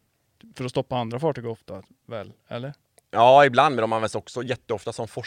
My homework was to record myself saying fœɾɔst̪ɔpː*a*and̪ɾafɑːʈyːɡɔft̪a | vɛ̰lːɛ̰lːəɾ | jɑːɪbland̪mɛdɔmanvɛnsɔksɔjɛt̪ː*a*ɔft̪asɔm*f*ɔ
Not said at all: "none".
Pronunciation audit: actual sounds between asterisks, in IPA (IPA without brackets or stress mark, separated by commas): a, ə, f